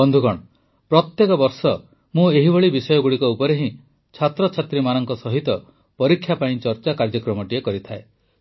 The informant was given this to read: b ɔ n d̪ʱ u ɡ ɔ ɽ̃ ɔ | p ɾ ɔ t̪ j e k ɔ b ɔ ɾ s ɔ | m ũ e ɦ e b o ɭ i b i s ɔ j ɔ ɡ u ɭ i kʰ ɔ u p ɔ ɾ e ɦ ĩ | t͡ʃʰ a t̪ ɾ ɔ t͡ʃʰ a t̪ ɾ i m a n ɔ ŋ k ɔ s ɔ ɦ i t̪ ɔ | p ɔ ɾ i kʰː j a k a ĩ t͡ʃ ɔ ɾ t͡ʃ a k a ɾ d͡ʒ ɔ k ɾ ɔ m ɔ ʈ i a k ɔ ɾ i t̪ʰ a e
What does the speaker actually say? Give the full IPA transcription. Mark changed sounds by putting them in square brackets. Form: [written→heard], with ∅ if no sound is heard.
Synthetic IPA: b ɔ n d̪ʱ u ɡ ɔ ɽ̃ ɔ | p ɾ ɔ t̪ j e k ɔ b ɔ ɾ s ɔ | m ũ e ɦ [e→i] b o ɭ i b i s ɔ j ɔ ɡ u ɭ i [kʰ→k] ɔ u p ɔ ɾ e ɦ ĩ | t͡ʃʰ a t̪ ɾ ɔ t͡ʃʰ a t̪ ɾ i m a n ɔ ŋ k ɔ s ɔ ɦ i t̪ ɔ | p ɔ ɾ i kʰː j a [k→p] a ĩ t͡ʃ ɔ ɾ t͡ʃ a k a ɾ d͡ʒ ɔ k ɾ ɔ m ɔ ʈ i [a→e] k ɔ ɾ i t̪ʰ a e